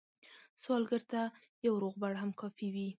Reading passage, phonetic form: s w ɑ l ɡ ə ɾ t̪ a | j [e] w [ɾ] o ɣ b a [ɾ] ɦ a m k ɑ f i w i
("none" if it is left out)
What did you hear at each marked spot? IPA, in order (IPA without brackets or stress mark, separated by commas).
a, ɾ, ɽ